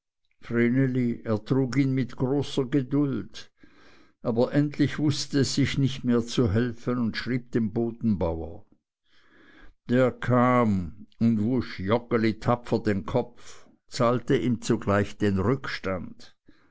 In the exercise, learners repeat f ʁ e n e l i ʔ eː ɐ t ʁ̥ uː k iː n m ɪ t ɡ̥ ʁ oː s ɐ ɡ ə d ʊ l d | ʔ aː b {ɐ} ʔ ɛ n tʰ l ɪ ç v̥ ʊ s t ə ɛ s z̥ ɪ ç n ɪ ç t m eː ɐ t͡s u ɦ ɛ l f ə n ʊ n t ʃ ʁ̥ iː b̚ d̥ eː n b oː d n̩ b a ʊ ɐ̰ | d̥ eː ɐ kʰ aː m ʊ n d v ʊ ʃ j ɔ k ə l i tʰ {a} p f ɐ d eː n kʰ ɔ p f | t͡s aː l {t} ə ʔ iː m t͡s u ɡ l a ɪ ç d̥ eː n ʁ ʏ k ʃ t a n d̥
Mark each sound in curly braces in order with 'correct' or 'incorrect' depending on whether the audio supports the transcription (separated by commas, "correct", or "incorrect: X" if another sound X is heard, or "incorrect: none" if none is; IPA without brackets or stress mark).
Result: correct, correct, correct